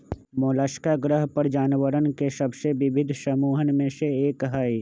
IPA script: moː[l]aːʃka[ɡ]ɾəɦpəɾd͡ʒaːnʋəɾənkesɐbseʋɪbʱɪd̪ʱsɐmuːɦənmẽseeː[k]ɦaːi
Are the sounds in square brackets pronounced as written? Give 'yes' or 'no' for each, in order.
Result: yes, yes, yes

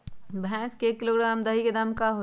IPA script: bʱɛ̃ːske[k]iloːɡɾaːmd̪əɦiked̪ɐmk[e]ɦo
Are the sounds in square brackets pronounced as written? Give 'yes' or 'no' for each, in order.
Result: yes, no

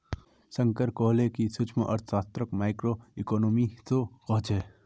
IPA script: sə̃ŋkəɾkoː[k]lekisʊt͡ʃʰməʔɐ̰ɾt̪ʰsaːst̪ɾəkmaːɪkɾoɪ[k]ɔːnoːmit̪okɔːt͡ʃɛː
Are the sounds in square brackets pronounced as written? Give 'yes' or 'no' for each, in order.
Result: no, yes

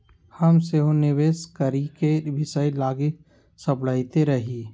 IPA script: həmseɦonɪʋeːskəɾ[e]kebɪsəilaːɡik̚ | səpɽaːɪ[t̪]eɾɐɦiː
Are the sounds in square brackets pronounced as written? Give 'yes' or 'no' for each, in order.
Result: no, yes

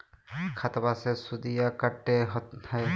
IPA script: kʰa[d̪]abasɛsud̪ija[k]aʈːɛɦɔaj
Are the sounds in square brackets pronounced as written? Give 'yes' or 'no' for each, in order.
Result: no, yes

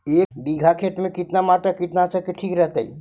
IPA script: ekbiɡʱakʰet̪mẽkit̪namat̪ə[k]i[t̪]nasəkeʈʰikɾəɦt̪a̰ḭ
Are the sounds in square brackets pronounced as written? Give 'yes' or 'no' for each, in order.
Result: yes, yes

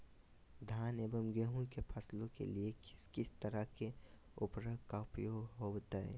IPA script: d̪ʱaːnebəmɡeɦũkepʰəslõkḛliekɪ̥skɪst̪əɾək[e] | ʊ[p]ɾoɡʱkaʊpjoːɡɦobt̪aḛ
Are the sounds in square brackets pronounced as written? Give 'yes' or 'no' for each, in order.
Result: yes, yes

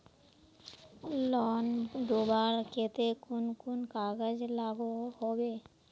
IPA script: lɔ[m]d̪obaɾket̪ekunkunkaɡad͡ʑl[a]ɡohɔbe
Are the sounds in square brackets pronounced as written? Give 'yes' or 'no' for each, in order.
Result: no, yes

